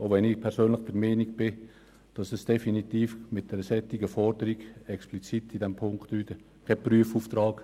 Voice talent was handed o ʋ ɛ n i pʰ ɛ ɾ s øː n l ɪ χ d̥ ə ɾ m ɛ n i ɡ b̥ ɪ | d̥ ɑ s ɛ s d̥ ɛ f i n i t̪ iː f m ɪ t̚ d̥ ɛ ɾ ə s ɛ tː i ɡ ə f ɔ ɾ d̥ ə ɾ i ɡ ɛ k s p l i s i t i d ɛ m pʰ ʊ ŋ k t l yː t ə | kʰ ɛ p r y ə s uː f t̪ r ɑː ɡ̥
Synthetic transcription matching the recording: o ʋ ɛ n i pʰ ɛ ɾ s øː n l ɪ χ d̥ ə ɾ m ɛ n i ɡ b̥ ɪ | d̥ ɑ s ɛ s d̥ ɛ f i n i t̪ iː f m ɪ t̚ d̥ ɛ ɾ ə s ɛ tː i ɡ ə f ɔ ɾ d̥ ə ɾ i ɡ ɛ k s p l i t͡s i t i d ɛ m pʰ ʊ ŋ k t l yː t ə | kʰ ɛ p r y ə f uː f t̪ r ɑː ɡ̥